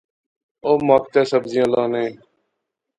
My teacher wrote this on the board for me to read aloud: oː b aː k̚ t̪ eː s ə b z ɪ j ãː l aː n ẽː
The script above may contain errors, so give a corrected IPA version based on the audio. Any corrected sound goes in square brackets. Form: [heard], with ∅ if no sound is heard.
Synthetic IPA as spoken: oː [m] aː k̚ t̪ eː s ə b z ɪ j ãː l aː n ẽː